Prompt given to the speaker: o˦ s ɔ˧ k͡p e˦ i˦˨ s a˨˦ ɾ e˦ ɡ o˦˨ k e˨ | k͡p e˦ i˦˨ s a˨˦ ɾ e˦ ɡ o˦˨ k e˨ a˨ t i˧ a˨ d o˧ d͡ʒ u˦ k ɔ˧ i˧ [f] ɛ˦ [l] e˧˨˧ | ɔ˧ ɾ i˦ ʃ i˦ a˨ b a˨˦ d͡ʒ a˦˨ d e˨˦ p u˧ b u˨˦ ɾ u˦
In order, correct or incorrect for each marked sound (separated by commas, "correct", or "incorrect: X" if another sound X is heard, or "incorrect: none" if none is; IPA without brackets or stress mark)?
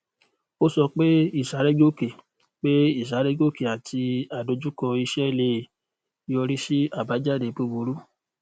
incorrect: ʃ, correct